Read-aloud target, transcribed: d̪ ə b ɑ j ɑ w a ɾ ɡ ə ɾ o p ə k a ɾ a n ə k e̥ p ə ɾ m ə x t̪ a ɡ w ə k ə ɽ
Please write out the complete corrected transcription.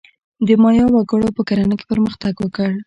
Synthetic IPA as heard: d̪ ə m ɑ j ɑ w a ɡ ə ɽ o p ə k a ɾ a n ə k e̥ p ə ɾ m ə x t̪ a ɡ w ə k ə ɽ